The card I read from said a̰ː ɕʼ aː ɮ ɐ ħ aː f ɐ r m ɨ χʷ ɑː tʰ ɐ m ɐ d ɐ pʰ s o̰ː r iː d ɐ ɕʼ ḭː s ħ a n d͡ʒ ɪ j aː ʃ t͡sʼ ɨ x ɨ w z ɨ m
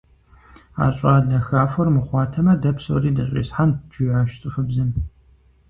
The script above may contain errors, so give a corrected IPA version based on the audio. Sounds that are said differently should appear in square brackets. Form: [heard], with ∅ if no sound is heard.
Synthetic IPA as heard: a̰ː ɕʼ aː ɮ ɐ [x] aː f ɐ r m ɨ χʷ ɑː tʰ ɐ m ɐ d ɐ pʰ s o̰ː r iː d ɐ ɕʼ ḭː s ħ a n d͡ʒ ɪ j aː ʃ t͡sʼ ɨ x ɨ [b] z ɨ m